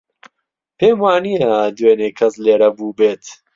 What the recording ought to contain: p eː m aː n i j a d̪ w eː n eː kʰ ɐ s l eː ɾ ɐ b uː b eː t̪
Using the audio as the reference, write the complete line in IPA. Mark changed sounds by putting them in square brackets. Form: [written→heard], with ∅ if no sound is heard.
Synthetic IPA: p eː m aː n i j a d̪ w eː n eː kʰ ɐ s l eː ɾ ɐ b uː b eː t̪